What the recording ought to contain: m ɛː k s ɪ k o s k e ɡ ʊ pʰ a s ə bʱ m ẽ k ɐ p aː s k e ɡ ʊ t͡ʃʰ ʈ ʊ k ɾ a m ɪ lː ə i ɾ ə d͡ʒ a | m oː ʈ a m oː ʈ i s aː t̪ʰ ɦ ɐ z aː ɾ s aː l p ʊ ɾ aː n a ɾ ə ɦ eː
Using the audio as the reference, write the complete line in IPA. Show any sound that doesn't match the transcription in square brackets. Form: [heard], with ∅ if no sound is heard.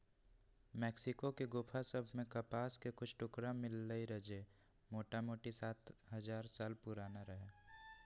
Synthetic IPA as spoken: m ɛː k s ɪ k o [∅] k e ɡ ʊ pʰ a s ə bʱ m ẽ k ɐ p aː s k e [k] ʊ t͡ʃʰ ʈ ʊ k ɾ a m ɪ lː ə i ɾ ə d͡ʒ [e] | m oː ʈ a m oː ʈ i s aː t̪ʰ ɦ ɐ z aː ɾ s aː l p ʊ ɾ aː n a ɾ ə ɦ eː